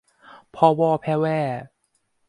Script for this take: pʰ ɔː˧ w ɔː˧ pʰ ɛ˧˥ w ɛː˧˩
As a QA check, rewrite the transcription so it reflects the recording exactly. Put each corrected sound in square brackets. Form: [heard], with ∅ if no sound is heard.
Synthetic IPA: pʰ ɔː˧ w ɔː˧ pʰ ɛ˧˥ w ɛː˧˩